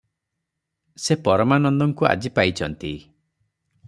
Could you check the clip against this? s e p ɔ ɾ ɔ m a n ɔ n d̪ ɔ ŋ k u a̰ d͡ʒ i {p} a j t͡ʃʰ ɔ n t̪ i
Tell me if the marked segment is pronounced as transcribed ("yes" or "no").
yes